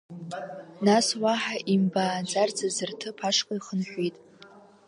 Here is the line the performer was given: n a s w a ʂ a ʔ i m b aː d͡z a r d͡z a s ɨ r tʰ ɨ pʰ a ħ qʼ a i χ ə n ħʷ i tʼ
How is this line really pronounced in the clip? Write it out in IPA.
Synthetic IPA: n a s w a ħ a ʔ i m b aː d͡z a r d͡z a z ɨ r tʰ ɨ pʰ a ʂ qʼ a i χ ə n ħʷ i tʼ